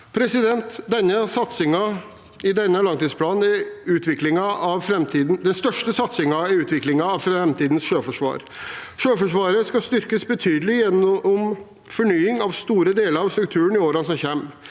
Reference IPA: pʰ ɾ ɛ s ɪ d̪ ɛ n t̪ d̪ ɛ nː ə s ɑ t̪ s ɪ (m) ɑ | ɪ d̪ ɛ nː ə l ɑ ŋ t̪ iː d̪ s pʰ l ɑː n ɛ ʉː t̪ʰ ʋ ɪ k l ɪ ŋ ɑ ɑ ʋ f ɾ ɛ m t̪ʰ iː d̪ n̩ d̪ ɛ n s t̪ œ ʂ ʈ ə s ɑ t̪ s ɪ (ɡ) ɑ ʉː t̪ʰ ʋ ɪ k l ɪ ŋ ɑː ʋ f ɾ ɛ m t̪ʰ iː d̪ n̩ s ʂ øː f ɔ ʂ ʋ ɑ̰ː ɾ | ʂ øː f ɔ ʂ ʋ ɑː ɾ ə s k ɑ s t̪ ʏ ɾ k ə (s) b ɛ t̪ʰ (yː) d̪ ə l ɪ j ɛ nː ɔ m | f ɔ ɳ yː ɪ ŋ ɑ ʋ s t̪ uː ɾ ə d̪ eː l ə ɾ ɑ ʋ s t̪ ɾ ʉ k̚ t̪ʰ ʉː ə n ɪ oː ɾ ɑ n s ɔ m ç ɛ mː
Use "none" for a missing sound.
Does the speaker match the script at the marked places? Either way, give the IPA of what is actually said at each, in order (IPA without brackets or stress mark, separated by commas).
ŋ, ŋ, s, yː